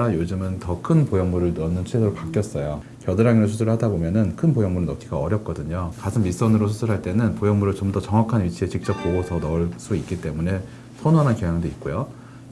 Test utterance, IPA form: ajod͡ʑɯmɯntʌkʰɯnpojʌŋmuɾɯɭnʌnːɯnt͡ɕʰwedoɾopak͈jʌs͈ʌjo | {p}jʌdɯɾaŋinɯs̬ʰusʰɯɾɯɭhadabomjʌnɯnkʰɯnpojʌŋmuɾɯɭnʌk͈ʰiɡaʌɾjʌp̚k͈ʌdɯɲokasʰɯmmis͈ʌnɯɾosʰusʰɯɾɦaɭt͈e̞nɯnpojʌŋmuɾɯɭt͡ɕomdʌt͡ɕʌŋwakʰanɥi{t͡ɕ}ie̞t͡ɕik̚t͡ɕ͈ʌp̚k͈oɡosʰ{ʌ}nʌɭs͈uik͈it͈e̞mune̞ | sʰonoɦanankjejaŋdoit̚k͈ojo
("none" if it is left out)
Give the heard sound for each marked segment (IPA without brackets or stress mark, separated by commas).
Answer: k, t͡ɕʰ, ʌ